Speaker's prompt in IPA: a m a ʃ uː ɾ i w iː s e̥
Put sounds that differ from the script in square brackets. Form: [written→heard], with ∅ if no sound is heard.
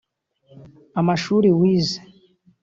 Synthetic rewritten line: a m a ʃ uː ɾ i w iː [s→z] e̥